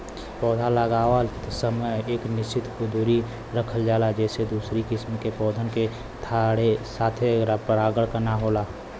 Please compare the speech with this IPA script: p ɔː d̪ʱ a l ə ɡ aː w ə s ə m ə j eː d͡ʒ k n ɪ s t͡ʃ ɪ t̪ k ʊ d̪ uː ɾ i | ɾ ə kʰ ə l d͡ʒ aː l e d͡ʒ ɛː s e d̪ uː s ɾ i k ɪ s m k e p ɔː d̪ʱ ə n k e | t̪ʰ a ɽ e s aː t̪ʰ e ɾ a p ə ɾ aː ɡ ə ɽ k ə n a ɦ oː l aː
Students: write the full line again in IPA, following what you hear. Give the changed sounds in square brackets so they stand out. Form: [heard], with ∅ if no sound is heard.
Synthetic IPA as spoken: p ɔː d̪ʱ a l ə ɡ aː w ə s ə m ə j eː [∅] k n ɪ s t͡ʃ ɪ t̪ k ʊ d̪ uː ɾ i | ɾ ə kʰ ə l d͡ʒ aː l [a] d͡ʒ ɛː s e d̪ uː s ɾ i k ɪ s m k e p ɔː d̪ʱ ə n k e | t̪ʰ a ɽ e s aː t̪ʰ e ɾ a p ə ɾ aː ɡ ə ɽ k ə n a ɦ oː l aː